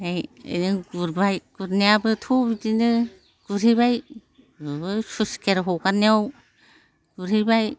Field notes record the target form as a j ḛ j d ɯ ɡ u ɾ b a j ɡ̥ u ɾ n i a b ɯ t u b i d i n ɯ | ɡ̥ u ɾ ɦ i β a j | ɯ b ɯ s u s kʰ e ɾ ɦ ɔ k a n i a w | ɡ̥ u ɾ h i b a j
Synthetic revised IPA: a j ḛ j n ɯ ɡ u ɾ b a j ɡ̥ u ɾ n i a b ɯ tʰ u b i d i n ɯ | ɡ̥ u ɾ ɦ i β a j | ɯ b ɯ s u s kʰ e ɾ ɦ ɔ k a n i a w | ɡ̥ u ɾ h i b a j

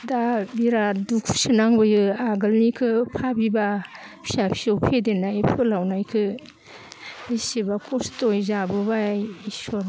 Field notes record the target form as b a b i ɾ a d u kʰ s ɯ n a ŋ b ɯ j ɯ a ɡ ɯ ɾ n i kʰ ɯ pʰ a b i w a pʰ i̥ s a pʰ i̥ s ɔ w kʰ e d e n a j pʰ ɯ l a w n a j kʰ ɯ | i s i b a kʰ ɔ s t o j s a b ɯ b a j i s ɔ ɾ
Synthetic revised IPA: d a b i ɾ a d u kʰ s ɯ n a ŋ b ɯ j ɯ a ɡ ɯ l n i kʰ ɯ pʰ a b i b a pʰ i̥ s a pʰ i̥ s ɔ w pʰ e d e n a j pʰ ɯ l a w n a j kʰ ɯ | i s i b a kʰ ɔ s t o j z a b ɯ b a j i s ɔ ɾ

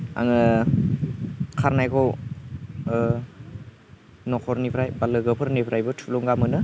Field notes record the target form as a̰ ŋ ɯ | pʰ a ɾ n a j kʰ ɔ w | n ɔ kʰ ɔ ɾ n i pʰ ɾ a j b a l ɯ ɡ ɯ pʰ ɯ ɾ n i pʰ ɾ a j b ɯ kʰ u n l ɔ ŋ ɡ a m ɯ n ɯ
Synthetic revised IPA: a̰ ŋ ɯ | kʰ a ɾ n a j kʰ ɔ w | n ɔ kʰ ɔ ɾ n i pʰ ɾ a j b a l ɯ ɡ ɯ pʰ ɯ ɾ n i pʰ ɾ a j b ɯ tʰ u l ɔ ŋ ɡ a m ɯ n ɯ

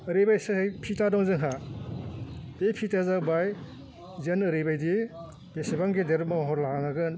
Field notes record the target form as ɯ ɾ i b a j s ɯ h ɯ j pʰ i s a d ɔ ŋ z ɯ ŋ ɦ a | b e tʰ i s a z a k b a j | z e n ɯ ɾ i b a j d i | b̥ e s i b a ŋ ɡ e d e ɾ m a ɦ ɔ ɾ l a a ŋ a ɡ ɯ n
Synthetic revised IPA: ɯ ɾ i b a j s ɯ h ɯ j pʰ i t a d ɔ ŋ z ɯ ŋ ɦ a | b e pʰ i t a z a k b a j | z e n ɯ ɾ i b a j d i | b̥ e s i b a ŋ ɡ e d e ɾ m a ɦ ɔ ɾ l a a ŋ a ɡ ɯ n

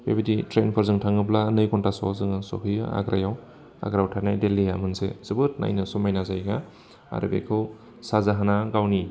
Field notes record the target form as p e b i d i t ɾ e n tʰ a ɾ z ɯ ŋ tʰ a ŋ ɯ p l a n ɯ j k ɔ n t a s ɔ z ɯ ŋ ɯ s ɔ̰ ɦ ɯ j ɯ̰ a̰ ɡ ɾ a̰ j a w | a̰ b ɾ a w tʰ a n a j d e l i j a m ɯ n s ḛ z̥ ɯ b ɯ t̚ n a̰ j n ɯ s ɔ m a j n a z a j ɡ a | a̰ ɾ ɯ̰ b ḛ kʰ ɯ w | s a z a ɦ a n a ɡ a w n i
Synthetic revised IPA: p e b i d i t ɾ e n pʰ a ɾ z ɯ ŋ tʰ a ŋ ɯ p l a n ɯ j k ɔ n t a s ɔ z ɯ ŋ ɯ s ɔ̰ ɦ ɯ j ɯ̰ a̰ ɡ ɾ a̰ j a w | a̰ ɡ ɾ a w tʰ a n a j d e l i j a m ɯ n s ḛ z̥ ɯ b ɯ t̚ n a̰ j n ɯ s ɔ m a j n a z a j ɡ a | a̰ ɾ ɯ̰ b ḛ kʰ ɯ w | s a z a ɦ a n a ɡ a w n i

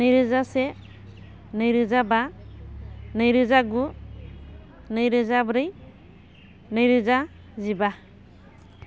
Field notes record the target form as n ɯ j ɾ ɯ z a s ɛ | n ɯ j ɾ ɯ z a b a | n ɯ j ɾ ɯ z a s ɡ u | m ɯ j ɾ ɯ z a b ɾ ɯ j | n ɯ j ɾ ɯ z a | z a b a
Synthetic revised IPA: n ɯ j ɾ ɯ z a s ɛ | n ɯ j ɾ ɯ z a b a | n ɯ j ɾ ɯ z a ɡ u | n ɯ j ɾ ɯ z a b ɾ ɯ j | n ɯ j ɾ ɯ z a | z i b a

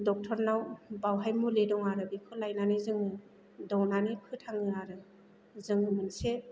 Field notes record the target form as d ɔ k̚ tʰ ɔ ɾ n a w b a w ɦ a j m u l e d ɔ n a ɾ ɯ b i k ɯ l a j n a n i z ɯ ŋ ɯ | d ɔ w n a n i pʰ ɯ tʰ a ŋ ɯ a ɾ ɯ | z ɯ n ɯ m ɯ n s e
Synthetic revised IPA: d ɔ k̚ tʰ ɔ ɾ n a w b a w ɦ a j m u l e d ɔ ŋ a ɾ ɯ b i kʰ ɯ l a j n a n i z ɯ ŋ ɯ | d ɔ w n a n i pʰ ɯ tʰ a ŋ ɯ a ɾ ɯ | z ɯ ŋ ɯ m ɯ n s e

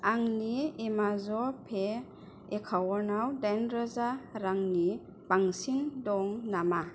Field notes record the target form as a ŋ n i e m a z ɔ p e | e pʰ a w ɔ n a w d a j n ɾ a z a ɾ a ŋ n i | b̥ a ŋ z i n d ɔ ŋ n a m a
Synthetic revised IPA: a ŋ n i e m a z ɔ pʰ e | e kʰ a w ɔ n a w d a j n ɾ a z a ɾ a ŋ n i | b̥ a ŋ s i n d ɔ ŋ n a m a

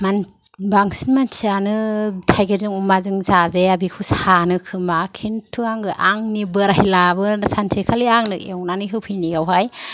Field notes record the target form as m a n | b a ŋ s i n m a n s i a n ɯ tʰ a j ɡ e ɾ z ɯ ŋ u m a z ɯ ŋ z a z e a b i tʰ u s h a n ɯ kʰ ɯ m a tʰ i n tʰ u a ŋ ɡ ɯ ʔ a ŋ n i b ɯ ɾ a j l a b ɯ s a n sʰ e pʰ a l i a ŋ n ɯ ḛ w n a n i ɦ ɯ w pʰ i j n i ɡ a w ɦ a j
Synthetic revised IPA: m a n | b a ŋ s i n m a n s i a n ɯ tʰ a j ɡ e ɾ z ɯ ŋ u m a z ɯ ŋ z a z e a b i kʰ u s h a n ɯ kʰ ɯ m a kʰ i n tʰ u a ŋ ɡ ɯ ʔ a ŋ n i b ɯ ɾ a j l a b ɯ s a n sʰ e kʰ a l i a ŋ n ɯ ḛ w n a n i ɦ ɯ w pʰ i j n i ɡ a w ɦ a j

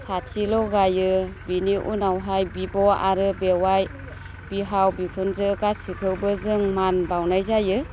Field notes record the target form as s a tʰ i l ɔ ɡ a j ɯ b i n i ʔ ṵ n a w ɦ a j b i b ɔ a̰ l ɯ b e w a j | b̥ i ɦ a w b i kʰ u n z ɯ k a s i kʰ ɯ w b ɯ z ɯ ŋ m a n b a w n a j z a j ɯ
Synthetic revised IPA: s a tʰ i l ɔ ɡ a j ɯ b i n i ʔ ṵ n a w ɦ a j b i b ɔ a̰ ɾ ɯ b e w a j | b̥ i ɦ a w b i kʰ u n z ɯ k a s i kʰ ɯ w b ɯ z ɯ ŋ m a n b a w n a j z a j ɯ

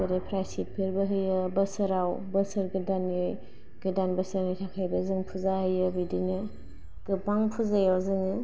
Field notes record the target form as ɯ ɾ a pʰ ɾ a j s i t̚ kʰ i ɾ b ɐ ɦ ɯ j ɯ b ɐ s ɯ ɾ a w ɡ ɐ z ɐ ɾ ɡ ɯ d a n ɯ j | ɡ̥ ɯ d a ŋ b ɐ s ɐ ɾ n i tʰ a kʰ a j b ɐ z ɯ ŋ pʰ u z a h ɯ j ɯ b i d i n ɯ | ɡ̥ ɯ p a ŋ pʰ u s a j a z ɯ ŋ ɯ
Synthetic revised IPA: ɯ ɾ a pʰ ɾ a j s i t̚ pʰ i ɾ b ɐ ɦ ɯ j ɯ b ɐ s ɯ ɾ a w b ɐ s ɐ ɾ ɡ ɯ d a n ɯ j | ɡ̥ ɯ d a n b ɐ s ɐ ɾ n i tʰ a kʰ a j b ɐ z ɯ ŋ pʰ u z a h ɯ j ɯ b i d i n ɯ | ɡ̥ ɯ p a ŋ pʰ u z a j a z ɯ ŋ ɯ

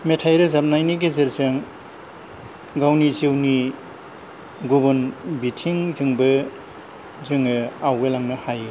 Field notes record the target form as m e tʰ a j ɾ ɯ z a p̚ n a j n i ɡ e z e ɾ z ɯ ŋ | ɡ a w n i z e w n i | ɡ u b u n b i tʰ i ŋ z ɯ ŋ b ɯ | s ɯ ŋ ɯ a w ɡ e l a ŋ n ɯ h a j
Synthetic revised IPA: m e tʰ a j ɾ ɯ z a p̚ n a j n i ɡ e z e ɾ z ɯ ŋ | ɡ a w n i z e w n i | ɡ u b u n b i tʰ i ŋ z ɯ ŋ b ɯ | z ɯ ŋ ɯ a w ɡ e l a ŋ n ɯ h a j

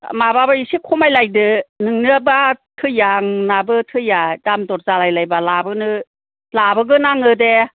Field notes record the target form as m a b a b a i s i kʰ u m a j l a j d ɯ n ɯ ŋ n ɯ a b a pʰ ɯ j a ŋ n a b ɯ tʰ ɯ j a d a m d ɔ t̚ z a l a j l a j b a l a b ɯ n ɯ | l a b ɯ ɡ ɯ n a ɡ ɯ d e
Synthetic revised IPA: m a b a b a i s i kʰ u m a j l a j d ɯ n ɯ ŋ n ɯ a b a tʰ ɯ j a ŋ n a b ɯ tʰ ɯ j a d a m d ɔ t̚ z a l a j l a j b a l a b ɯ n ɯ | l a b ɯ ɡ ɯ n a ŋ ɯ d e

